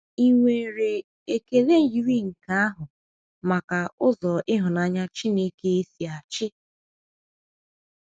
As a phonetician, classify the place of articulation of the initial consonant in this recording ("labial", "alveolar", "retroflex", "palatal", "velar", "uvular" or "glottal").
velar